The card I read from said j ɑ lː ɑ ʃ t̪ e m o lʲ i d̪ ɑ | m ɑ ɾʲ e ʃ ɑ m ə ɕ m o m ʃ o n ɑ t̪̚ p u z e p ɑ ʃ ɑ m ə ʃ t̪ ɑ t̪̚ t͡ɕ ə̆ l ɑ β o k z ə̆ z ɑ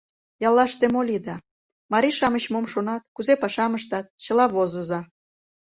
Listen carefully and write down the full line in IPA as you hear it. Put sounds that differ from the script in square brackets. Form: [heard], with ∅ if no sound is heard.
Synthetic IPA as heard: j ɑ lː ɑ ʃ t̪ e m o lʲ i d̪ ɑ | m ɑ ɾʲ [i] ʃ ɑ m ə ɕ m o m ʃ o n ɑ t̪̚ [k] u z e p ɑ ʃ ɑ m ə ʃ t̪ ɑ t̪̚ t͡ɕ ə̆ l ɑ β o [∅] z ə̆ z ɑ